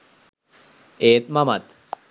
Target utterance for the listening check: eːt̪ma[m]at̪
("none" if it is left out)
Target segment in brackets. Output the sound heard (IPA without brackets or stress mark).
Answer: m